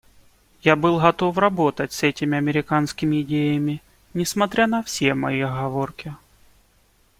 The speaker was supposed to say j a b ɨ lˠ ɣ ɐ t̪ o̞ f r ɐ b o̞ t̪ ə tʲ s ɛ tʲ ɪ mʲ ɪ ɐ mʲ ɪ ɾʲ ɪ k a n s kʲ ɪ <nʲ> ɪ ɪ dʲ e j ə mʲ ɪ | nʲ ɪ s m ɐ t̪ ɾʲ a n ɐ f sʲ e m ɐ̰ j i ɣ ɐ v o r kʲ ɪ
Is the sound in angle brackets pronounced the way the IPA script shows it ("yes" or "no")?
no